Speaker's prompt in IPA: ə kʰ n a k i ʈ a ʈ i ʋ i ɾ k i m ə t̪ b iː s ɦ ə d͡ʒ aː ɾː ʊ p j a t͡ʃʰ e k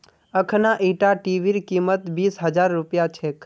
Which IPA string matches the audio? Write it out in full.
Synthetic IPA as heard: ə kʰ n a ʔ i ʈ a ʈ i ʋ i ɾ k i m ə t̪ b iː s ɦ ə d͡ʒ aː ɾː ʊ p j a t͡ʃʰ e k